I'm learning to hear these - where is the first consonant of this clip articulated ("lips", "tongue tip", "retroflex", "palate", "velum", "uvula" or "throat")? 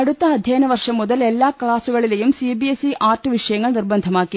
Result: retroflex